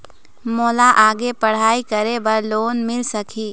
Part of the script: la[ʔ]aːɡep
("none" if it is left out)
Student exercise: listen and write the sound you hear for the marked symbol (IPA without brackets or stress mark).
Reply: ʔ